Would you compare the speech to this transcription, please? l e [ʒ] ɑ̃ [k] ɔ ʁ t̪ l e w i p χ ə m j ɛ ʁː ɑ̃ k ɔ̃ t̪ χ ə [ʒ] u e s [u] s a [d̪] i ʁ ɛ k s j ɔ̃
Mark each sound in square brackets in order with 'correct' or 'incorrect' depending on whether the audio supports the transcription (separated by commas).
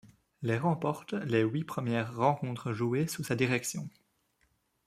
incorrect, incorrect, correct, correct, correct